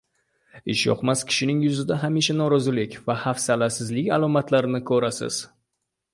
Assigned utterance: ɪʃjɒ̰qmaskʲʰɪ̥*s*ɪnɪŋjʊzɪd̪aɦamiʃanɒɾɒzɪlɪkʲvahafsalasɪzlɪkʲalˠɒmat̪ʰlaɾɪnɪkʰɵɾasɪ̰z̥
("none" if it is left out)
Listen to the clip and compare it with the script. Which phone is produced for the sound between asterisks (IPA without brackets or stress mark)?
ʃ